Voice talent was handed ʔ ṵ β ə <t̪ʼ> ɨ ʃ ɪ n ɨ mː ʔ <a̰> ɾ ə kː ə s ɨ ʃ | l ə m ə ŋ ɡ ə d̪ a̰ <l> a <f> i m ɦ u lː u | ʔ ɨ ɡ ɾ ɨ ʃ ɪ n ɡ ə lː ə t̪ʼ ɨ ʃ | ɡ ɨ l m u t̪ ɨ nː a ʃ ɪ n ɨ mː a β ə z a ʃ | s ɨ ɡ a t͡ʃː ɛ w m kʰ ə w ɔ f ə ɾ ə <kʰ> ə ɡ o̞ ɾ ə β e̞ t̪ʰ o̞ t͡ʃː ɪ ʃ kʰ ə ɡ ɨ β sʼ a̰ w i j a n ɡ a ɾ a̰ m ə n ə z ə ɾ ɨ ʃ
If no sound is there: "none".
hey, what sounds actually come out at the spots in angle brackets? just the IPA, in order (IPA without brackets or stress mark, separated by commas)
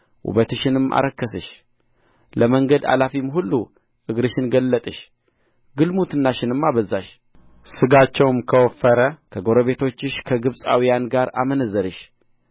t̪, a̰, l, f, kʰ